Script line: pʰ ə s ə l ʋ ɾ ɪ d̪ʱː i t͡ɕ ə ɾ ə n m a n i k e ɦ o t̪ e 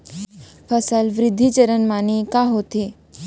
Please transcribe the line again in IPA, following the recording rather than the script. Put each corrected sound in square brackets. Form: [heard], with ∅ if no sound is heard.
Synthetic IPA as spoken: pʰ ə s ə l ʋ ɾ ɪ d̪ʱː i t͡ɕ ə ɾ ə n m a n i k [a] ɦ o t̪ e